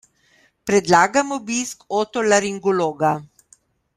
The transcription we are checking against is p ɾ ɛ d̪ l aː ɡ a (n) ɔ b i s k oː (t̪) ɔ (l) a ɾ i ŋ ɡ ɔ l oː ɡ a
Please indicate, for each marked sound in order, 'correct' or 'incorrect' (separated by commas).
incorrect, correct, correct